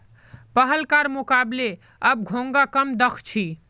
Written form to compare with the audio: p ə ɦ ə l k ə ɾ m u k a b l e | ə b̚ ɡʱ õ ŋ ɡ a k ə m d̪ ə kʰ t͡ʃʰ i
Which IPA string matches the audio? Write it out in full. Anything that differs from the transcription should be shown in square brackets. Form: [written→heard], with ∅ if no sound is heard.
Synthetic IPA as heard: p ə ɦ ə l k [ə→a] ɾ m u k a b l e | ə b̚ ɡʱ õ ŋ ɡ a k ə m d̪ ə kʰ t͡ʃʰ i